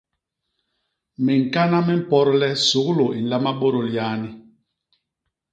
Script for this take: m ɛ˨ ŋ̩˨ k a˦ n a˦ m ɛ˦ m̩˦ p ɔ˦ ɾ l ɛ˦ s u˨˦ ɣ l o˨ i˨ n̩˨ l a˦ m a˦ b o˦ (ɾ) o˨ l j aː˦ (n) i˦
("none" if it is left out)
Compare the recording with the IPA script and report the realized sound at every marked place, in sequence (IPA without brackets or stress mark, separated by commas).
ɾ, n